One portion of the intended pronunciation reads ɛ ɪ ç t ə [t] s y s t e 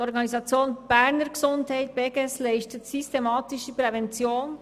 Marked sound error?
no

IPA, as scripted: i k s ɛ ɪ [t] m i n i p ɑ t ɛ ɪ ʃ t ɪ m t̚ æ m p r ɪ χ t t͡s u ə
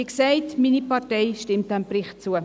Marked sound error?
no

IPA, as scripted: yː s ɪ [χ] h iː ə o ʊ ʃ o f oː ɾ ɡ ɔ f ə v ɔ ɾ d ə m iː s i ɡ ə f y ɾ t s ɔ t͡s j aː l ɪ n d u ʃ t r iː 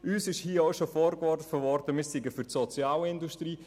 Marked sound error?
yes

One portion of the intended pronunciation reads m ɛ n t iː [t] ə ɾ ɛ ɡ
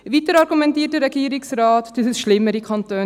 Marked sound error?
no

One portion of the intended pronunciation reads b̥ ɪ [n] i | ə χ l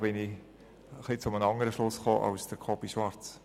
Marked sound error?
no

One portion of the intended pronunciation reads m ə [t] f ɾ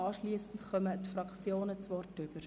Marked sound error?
no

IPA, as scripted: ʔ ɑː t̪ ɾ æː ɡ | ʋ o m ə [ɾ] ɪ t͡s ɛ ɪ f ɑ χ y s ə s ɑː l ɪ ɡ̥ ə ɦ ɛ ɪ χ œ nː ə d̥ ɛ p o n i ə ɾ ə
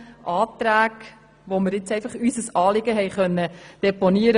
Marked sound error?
no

